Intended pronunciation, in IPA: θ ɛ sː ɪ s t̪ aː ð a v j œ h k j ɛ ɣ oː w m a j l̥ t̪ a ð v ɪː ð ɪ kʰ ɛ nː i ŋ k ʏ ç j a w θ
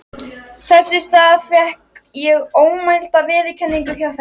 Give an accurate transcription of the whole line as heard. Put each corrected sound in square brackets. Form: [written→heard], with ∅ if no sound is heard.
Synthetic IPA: θ ɛ sː ɪ s t̪ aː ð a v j [œ→ɛ] h k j ɛ ɣ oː w m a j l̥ t̪ a ð v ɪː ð ɪ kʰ ɛ nː i ŋ k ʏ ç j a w θ